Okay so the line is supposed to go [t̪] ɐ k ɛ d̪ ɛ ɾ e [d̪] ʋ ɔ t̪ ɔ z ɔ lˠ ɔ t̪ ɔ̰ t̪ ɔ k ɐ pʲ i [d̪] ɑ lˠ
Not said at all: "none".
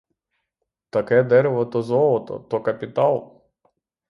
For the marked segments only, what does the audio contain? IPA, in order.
t̪, none, t̪

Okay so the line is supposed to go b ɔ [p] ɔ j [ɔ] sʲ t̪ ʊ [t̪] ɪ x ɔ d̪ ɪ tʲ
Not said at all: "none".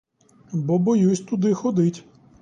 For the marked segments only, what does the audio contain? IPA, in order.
b, u, d̪

